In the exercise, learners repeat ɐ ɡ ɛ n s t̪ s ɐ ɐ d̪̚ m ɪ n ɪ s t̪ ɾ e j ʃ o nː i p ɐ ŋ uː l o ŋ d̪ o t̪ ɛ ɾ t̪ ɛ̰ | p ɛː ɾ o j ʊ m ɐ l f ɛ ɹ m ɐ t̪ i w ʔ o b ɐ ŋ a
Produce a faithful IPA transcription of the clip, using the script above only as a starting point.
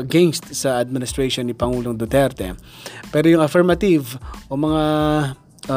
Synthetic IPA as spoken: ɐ ɡ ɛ n s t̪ s ɐ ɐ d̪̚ m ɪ n ɪ s t̪ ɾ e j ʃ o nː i p ɐ ŋ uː l o ŋ d̪ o t̪ ɛ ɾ t̪ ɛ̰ | p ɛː ɾ o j ʊ ŋ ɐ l f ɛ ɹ m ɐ t̪ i v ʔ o m ɐ ŋ a